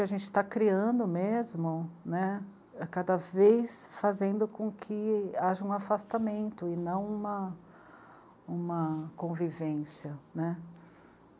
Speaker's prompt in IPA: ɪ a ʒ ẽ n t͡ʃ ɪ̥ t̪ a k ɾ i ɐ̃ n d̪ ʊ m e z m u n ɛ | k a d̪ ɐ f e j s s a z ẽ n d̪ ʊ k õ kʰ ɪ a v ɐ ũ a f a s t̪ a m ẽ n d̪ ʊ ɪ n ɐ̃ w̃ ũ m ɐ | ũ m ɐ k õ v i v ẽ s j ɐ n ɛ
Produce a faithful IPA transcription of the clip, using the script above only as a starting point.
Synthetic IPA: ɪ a ʒ ẽ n t͡ʃ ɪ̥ t̪ a k ɾ i ɐ̃ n d̪ ʊ m e z m ʊ n ɛ | k a d̪ ɐ v e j s f a z ẽ n d̪ ʊ k õ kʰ ɪ a ʒ ɐ ũ a f a s t̪ a m ẽ n t̪ ʊ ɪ n ɐ̃ w̃ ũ m ɐ | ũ m ɐ k õ v i v ẽ s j ɐ n ɛ